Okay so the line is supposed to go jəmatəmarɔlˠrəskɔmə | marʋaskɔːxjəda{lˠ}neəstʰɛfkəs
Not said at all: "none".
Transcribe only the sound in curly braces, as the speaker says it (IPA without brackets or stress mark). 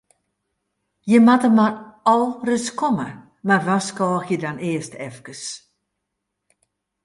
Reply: none